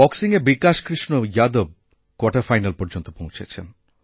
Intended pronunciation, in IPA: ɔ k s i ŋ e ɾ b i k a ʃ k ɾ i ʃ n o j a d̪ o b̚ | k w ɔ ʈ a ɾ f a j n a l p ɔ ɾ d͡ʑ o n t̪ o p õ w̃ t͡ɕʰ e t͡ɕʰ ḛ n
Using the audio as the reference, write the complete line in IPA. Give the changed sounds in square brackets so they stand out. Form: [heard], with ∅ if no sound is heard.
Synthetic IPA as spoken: ɔ k s i ŋ e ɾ b i k a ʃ k ɾ i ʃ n o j a d̪ o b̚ | k w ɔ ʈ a ɾ f a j n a l p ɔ ɾ d͡ʑ o n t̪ o p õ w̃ t͡ɕʰ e t͡ɕʰ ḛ n